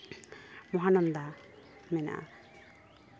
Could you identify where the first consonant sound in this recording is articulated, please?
labial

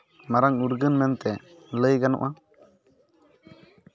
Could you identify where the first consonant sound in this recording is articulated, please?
labial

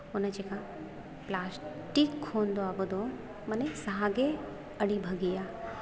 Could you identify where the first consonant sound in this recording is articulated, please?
alveolar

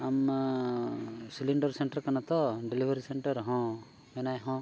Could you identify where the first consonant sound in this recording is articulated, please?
labial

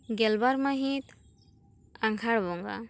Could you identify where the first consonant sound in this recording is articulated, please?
velar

